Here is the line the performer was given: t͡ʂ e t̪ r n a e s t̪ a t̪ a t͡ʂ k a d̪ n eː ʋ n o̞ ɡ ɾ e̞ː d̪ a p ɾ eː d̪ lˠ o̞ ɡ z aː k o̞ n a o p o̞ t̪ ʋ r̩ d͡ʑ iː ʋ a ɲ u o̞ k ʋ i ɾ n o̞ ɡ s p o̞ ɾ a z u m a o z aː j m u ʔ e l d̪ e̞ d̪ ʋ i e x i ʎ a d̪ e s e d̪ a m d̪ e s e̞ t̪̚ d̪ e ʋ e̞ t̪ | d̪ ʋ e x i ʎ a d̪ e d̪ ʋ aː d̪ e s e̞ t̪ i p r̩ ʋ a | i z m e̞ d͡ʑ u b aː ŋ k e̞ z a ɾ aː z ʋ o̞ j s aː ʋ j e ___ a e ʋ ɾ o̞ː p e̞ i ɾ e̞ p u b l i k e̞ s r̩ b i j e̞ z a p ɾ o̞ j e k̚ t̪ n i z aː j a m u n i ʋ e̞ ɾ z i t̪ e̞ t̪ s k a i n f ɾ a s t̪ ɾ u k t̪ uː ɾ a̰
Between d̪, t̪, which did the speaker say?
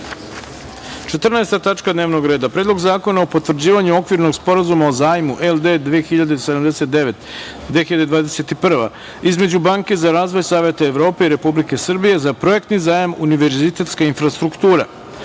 t̪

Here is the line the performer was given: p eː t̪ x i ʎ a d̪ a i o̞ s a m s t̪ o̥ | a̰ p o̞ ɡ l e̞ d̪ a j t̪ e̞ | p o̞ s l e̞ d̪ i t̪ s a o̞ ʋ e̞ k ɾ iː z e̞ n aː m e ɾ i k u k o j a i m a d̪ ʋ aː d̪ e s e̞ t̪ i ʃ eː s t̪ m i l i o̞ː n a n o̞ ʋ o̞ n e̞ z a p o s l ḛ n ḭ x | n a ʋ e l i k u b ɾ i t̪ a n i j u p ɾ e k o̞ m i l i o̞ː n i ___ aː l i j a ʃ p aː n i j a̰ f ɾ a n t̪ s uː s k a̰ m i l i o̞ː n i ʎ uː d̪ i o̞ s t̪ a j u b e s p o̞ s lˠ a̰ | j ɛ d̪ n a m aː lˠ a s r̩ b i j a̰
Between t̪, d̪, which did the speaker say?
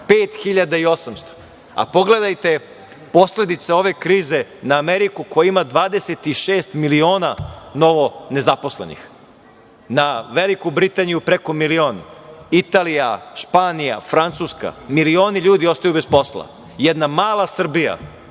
t̪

